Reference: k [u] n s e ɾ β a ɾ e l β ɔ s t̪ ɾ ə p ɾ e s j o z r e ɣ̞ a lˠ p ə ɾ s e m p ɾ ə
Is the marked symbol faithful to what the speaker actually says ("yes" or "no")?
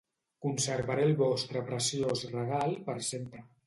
yes